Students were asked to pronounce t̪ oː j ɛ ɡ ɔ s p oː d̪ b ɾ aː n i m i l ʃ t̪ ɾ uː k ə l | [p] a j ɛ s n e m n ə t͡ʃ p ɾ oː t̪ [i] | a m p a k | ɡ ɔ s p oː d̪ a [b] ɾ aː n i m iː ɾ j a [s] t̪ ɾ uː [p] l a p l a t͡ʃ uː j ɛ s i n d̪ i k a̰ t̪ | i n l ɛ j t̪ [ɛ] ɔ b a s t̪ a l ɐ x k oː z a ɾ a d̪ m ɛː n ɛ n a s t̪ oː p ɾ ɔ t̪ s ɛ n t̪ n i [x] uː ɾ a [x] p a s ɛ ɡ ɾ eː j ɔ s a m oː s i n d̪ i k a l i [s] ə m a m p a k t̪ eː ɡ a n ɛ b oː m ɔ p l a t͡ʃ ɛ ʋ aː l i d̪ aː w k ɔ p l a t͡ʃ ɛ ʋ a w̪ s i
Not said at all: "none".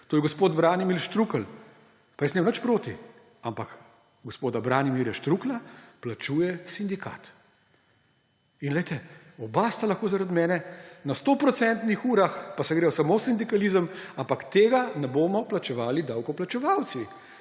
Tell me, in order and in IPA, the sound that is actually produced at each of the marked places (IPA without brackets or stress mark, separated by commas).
p, i, b, ʃ, k, ɛ, x, x, z